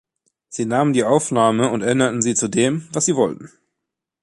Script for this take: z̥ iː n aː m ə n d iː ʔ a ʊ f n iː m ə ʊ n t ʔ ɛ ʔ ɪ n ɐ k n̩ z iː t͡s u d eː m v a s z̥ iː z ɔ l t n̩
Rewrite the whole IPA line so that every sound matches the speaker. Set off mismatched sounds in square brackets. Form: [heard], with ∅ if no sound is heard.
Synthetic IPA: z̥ iː n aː m ə n d iː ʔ a ʊ f n [aː] m ə ʊ n t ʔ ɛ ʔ ɪ n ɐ [t] n̩ z iː t͡s u d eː m v a s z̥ iː [v] ɔ l t n̩